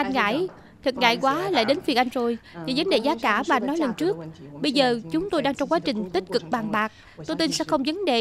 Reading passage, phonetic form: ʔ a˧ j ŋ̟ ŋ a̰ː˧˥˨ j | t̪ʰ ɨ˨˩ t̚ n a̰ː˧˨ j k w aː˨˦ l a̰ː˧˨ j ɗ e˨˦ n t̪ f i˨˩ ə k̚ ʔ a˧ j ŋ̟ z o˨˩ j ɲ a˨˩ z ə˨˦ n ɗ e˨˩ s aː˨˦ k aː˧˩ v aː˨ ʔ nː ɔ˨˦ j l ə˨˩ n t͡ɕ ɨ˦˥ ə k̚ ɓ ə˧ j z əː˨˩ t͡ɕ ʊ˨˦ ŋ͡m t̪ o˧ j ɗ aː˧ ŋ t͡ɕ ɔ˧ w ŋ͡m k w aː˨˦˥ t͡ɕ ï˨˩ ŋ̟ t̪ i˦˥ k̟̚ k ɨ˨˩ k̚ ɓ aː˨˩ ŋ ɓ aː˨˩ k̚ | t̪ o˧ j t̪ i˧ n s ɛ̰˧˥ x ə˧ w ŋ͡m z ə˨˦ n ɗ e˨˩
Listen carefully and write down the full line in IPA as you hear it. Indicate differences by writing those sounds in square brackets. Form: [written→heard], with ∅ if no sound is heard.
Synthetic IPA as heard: ʔ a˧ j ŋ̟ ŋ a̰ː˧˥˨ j | t̪ʰ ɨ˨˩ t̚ [n→ŋ] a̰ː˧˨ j k w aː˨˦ l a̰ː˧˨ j ɗ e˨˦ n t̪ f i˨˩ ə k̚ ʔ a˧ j ŋ̟ z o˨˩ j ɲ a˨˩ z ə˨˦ n ɗ e˨˩ [s→z] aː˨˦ k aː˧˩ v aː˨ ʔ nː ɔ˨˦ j l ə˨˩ n t͡ɕ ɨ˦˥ ə k̚ ɓ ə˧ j z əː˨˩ t͡ɕ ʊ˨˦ ŋ͡m t̪ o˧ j ɗ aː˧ ŋ t͡ɕ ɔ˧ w ŋ͡m k w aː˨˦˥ t͡ɕ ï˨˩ ŋ̟ t̪ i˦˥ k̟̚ k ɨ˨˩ k̚ ɓ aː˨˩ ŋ ɓ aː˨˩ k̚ | t̪ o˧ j t̪ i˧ n s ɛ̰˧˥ x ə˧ w ŋ͡m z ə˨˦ n ɗ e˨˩